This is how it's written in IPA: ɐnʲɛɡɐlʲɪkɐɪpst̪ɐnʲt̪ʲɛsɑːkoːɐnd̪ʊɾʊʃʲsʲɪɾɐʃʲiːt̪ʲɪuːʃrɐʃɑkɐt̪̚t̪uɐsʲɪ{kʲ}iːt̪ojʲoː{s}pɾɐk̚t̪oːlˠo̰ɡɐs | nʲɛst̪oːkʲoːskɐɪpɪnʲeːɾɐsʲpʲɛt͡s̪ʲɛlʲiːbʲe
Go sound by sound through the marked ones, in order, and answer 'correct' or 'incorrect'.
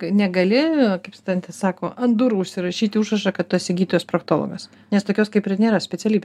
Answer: incorrect, correct

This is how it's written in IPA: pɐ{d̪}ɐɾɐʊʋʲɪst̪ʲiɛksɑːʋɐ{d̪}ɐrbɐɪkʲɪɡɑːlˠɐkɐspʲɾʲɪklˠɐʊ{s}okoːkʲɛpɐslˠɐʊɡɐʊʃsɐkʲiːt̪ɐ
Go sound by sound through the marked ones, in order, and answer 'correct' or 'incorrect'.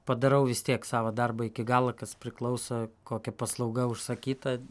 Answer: correct, correct, correct

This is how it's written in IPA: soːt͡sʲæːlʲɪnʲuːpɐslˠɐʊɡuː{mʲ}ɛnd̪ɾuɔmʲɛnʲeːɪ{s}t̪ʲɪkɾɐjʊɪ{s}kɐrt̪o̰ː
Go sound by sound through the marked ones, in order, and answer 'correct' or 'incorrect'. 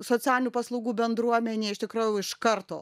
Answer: incorrect, incorrect, incorrect

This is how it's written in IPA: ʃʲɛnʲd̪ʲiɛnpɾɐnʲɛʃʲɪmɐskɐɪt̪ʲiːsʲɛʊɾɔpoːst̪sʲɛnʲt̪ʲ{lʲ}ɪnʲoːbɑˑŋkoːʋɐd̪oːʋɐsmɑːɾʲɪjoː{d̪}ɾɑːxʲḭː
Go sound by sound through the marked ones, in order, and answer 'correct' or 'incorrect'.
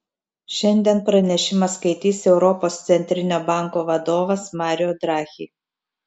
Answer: incorrect, correct

